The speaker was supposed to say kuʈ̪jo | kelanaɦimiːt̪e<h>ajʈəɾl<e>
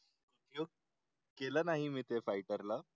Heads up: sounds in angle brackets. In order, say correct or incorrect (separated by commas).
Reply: incorrect, incorrect